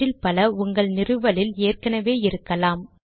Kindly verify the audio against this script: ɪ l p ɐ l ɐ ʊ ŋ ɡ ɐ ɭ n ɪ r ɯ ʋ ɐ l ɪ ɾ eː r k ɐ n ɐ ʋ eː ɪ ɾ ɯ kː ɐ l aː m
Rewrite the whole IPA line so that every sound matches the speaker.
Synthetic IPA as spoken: ɪ l p ɐ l ɐ ʊ ŋ ɡ ɐ ɭ n ɪ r ɯ ʋ ɐ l ɪ l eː r k ɐ n ɐ ʋ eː ɪ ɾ ɯ kː ɐ l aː m